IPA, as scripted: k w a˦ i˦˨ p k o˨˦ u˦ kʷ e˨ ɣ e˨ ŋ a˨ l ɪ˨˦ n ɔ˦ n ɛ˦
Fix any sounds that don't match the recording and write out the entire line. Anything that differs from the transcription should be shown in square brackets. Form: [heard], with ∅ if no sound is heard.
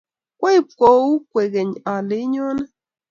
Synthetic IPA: k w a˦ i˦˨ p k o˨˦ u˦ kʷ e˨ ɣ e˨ [ɲ] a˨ l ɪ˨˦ [ɲ] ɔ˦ n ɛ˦